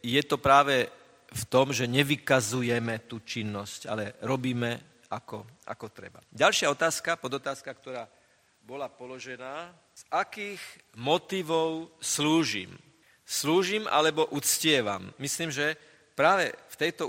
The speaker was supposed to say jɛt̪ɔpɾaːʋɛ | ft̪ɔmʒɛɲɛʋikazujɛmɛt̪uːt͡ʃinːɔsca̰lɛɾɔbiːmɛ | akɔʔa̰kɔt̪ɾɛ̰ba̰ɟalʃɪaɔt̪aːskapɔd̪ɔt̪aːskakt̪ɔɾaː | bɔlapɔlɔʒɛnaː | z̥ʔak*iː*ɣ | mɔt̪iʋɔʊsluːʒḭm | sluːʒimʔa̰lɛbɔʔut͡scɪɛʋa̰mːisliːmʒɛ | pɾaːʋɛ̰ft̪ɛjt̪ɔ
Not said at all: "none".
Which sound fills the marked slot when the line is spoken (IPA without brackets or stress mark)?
iː